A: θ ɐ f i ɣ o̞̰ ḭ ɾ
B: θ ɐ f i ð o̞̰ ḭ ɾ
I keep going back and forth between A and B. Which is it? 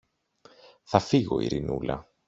A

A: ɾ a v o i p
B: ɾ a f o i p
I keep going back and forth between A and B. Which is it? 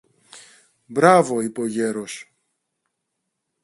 A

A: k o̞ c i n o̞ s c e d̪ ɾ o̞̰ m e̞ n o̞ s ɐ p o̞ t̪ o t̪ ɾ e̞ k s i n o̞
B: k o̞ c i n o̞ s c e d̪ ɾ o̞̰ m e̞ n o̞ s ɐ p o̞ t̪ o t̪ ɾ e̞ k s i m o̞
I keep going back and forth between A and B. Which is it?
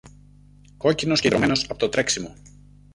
B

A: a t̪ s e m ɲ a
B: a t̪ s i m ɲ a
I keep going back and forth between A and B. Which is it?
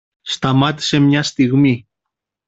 A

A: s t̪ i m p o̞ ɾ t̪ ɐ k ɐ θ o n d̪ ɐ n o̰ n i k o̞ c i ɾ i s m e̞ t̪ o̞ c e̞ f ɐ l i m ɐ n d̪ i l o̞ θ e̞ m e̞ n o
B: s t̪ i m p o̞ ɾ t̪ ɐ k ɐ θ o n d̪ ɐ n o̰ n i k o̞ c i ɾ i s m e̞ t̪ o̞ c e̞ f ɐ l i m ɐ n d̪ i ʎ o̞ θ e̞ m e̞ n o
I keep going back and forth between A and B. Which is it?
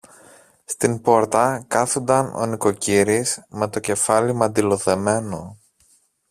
A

